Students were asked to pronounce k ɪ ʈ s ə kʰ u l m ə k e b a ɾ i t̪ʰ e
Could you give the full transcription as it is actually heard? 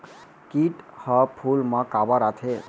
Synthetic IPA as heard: k i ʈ h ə pʰ u l m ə k a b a ɾ a t̪ʰ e